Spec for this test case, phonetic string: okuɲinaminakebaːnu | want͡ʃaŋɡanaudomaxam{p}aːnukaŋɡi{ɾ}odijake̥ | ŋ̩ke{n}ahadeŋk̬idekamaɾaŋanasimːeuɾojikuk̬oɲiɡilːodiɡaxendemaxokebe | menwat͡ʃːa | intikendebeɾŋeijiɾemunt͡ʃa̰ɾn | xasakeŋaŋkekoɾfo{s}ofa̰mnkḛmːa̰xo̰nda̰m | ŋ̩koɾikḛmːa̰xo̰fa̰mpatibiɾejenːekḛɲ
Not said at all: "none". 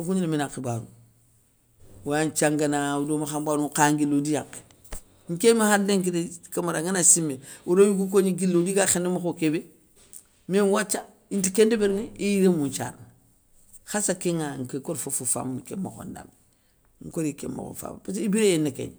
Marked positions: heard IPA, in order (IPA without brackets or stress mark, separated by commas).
b, l, m, f